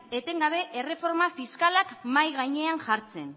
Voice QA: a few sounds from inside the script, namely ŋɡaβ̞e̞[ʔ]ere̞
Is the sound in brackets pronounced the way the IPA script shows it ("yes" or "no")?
yes